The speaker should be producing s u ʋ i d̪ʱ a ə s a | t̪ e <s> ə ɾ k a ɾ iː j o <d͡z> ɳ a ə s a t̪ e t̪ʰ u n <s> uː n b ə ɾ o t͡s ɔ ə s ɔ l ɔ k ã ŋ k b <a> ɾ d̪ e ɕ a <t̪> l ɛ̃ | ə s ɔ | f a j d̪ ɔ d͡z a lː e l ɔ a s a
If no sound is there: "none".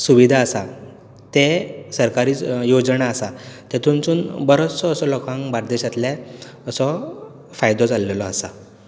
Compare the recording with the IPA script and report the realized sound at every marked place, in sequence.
s, d͡z, t͡s, a, t̪

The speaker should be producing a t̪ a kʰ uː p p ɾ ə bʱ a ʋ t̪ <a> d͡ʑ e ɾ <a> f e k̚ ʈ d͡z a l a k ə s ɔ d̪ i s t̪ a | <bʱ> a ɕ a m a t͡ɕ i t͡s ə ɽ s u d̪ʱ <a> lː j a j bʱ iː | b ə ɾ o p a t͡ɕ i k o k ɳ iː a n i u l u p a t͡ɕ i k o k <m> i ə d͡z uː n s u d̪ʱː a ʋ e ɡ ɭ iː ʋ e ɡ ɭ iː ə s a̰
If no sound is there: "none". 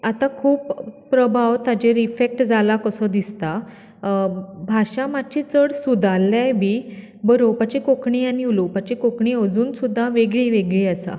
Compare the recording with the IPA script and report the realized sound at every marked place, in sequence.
a, i, bʱ, a, ɳ

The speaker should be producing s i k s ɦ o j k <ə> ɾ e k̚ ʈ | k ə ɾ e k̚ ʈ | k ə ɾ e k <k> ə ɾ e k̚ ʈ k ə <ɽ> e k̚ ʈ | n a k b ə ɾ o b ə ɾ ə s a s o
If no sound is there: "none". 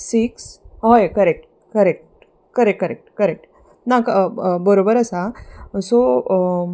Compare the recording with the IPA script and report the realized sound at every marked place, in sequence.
ə, k, ɾ

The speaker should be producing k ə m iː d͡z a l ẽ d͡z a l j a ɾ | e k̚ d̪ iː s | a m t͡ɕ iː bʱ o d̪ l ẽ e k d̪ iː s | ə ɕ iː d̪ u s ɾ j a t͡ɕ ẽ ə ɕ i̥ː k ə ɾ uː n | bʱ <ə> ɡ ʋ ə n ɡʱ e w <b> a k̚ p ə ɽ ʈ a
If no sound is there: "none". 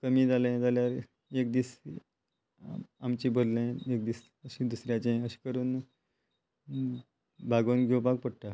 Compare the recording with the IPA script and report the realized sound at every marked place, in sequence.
a, p

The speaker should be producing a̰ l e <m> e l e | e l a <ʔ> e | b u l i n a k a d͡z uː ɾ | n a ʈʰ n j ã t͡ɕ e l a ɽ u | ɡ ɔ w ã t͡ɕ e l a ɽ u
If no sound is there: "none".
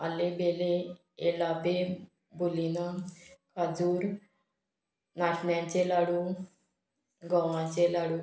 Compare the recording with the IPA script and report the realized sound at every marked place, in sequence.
b, p

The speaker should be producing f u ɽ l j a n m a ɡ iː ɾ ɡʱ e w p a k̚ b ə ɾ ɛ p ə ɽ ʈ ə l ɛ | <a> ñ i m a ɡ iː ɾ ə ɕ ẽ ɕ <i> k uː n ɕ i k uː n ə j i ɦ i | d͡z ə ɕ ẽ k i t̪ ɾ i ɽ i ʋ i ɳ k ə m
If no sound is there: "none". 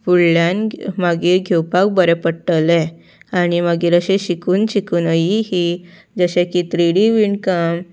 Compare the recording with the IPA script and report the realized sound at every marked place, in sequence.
a, i

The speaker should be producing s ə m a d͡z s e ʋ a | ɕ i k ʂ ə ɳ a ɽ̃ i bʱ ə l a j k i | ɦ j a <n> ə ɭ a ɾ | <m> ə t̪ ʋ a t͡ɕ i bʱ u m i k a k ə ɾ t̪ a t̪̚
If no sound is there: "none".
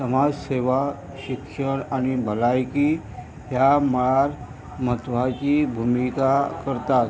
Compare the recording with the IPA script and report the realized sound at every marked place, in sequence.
m, m

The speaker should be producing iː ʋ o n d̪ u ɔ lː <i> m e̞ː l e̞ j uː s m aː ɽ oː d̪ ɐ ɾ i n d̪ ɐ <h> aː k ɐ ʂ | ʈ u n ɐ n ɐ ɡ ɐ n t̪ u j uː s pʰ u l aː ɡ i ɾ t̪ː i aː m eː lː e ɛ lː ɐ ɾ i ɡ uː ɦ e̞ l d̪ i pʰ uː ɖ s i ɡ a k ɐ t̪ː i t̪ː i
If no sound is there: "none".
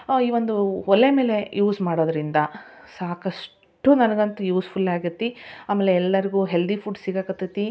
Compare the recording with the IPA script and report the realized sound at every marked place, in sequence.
e, s

